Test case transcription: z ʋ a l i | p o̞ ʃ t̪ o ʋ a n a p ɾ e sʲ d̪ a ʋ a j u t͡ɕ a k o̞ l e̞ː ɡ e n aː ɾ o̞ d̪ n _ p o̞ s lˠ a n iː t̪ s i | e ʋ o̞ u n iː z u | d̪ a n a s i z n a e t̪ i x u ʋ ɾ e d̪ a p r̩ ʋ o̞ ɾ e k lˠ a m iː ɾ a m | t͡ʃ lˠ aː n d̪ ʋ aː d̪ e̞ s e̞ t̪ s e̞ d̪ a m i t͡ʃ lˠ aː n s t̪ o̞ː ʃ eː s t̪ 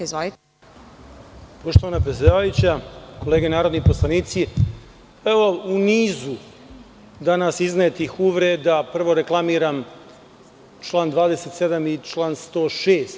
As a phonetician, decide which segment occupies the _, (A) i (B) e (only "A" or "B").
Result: A